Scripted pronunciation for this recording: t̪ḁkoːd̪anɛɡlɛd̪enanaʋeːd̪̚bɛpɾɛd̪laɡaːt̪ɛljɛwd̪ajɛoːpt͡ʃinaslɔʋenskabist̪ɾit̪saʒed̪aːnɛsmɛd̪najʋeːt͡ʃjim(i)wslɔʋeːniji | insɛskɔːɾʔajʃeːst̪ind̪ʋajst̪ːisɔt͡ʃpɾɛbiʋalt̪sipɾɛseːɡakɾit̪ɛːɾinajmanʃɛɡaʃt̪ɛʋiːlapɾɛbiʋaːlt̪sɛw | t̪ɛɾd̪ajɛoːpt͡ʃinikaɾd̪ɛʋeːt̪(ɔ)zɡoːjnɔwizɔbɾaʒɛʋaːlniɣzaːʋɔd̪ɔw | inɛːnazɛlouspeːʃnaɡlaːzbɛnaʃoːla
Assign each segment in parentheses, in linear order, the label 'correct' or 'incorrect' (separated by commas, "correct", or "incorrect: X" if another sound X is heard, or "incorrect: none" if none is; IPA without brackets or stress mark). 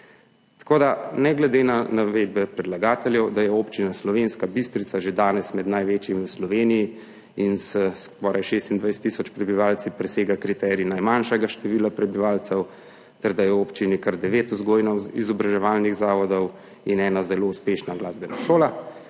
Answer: correct, incorrect: u